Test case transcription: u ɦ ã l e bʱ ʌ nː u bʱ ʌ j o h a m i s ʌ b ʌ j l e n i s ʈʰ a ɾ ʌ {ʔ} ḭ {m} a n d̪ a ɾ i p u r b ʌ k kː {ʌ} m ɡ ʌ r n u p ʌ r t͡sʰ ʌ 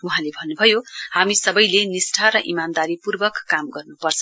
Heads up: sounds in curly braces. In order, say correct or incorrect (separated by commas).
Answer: correct, correct, incorrect